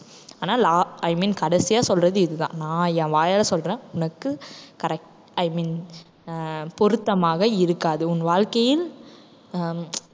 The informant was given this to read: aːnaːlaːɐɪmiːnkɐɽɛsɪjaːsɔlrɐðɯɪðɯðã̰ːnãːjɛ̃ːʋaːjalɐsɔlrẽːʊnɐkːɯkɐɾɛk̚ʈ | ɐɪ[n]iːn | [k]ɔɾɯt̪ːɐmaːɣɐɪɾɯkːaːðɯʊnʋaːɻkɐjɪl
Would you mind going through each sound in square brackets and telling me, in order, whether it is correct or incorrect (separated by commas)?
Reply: incorrect, incorrect